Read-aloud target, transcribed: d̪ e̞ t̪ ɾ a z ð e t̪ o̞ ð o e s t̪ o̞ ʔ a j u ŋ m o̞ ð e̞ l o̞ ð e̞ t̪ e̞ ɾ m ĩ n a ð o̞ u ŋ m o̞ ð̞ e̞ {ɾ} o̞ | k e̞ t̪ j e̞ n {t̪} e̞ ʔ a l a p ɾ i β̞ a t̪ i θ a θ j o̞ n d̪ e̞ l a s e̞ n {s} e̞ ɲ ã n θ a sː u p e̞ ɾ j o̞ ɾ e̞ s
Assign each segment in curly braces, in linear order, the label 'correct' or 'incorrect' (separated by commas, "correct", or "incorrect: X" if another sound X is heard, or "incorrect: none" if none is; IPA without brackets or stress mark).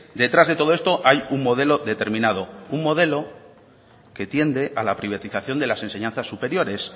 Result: incorrect: l, incorrect: d̪, correct